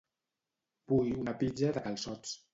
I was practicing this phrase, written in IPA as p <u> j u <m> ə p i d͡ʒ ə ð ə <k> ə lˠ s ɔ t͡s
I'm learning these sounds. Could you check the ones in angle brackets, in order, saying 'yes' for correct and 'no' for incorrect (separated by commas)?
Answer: yes, no, yes